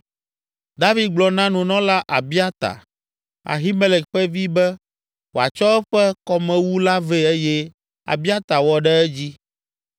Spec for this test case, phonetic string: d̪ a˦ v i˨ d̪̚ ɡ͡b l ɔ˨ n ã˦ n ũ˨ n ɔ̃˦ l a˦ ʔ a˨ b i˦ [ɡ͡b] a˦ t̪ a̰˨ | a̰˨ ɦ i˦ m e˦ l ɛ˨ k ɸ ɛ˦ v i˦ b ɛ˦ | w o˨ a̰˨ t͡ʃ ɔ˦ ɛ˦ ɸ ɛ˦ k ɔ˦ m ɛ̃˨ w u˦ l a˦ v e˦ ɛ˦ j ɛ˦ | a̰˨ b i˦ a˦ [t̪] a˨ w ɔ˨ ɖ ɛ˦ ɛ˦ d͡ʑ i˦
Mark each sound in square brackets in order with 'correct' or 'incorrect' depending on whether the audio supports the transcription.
incorrect, correct

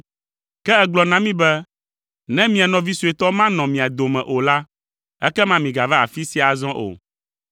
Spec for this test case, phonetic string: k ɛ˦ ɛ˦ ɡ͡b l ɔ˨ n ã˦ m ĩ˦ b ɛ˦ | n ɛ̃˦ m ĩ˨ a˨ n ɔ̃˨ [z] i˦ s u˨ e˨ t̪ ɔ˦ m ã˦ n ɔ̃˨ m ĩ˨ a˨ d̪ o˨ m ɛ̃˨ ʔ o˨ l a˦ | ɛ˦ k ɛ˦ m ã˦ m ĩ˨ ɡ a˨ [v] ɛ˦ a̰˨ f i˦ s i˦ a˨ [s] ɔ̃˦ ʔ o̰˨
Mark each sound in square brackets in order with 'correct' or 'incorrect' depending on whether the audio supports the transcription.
incorrect, correct, incorrect

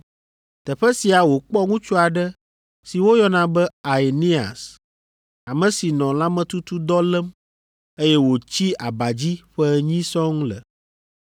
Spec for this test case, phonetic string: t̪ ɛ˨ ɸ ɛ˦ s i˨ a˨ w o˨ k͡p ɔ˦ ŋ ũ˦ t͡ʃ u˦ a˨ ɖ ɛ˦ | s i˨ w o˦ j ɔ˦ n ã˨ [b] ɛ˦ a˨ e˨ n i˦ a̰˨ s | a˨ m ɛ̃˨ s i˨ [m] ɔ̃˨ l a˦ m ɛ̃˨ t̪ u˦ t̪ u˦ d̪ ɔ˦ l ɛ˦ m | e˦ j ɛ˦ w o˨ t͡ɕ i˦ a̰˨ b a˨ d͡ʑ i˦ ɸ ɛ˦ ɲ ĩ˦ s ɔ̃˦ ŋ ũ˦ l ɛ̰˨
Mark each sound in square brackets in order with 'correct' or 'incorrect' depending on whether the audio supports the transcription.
correct, incorrect

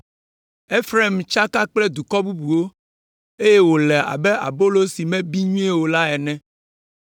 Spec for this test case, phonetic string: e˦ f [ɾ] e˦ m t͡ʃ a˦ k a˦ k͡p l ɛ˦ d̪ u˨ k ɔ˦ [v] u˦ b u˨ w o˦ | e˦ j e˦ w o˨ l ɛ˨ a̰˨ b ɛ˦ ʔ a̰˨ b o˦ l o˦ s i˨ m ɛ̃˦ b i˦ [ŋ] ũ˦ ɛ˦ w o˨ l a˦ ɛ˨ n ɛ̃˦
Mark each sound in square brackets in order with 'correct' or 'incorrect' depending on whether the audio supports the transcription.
correct, incorrect, incorrect

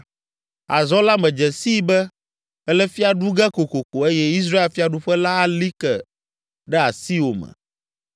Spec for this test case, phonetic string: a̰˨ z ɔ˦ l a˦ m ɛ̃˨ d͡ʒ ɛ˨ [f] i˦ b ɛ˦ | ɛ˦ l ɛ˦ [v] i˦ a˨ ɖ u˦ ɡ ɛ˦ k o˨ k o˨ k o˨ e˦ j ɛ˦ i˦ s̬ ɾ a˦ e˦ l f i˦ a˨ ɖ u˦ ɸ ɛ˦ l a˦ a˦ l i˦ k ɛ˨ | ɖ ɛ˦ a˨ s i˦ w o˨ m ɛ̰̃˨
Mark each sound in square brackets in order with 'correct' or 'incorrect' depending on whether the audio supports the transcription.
incorrect, incorrect

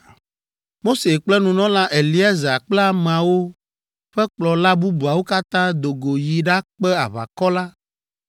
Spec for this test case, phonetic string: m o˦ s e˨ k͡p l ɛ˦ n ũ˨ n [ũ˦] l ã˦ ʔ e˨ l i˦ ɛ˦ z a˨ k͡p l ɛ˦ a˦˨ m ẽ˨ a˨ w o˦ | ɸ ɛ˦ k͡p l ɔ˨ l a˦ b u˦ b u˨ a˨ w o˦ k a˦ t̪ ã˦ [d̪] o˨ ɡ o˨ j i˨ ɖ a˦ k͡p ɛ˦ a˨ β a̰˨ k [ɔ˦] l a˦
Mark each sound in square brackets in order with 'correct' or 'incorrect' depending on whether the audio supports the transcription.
incorrect, correct, correct

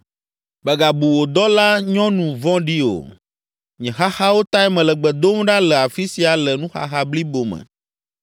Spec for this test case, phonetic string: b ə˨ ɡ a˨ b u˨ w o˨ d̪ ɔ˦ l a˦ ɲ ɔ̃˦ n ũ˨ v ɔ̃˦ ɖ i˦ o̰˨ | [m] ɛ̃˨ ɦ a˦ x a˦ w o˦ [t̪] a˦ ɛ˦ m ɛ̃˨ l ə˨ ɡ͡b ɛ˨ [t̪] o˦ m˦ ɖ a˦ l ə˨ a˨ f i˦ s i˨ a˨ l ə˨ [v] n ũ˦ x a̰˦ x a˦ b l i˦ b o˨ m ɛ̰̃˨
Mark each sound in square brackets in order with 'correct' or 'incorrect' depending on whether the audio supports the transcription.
incorrect, correct, incorrect, incorrect

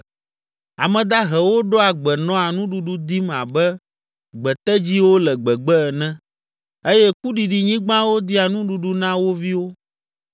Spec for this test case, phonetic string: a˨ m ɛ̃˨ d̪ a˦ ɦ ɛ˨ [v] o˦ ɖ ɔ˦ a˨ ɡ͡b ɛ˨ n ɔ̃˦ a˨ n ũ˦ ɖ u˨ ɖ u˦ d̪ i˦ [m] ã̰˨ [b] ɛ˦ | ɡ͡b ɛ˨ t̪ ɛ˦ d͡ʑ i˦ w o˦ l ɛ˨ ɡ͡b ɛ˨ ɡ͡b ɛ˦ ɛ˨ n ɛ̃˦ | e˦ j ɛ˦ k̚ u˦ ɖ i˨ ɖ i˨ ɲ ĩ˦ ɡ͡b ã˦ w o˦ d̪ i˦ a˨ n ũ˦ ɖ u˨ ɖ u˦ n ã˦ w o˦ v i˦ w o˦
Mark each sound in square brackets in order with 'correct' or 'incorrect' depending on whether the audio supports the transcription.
incorrect, correct, correct

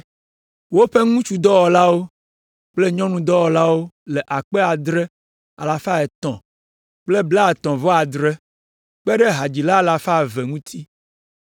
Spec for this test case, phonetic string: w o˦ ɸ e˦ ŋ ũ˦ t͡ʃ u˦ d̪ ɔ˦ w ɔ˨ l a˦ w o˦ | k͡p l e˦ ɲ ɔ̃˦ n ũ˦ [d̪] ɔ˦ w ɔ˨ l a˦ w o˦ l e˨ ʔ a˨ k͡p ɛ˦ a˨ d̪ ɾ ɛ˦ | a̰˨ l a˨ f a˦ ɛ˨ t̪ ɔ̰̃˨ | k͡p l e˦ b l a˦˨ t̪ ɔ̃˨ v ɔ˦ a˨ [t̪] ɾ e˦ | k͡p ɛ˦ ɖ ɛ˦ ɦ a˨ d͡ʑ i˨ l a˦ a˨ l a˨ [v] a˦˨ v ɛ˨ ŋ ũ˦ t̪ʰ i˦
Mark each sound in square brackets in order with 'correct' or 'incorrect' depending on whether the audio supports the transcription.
correct, incorrect, incorrect

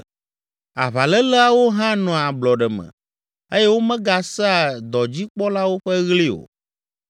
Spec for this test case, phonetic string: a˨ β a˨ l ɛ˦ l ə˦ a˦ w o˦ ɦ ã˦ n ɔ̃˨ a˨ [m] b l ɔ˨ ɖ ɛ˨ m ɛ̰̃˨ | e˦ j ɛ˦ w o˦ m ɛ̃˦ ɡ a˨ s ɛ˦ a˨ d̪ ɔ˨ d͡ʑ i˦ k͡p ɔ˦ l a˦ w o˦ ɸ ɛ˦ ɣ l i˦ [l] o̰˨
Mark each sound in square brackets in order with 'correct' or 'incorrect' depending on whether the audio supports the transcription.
incorrect, incorrect

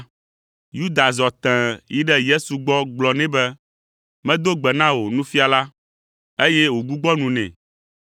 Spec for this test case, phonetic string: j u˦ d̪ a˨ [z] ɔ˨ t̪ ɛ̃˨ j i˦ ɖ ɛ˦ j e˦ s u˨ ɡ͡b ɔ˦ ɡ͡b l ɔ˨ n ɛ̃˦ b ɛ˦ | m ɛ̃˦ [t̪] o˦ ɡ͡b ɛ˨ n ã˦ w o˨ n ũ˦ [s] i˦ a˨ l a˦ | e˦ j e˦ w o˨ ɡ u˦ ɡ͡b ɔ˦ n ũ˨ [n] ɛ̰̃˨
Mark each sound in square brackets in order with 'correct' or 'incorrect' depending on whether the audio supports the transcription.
correct, incorrect, incorrect, correct

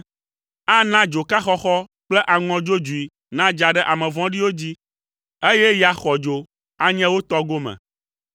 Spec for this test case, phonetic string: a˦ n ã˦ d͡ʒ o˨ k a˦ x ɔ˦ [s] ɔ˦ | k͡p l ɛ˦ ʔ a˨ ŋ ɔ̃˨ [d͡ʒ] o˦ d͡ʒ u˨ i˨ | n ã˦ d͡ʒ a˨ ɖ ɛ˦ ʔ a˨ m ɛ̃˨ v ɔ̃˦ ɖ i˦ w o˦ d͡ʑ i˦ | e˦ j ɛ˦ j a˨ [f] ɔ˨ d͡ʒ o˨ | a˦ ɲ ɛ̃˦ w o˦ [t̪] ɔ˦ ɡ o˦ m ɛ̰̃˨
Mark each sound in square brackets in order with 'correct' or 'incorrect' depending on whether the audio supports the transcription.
incorrect, correct, incorrect, correct

